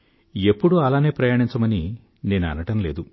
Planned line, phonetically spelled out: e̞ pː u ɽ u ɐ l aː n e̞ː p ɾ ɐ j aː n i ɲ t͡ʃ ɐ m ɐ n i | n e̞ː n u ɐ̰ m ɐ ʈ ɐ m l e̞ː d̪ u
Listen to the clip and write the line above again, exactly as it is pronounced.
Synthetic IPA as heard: e̞ pː u ɽ u ɐ l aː n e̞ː p ɾ ɐ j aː ɳ i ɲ t͡ʃ ɐ m ɐ n i | n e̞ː n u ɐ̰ n ɐ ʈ ɐ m l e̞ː d̪ u